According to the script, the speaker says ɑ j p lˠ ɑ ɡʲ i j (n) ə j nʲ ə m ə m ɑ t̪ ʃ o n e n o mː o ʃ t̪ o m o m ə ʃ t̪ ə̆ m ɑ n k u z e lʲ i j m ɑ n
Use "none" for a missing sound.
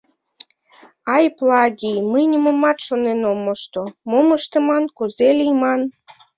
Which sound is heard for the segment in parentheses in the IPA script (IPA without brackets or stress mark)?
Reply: m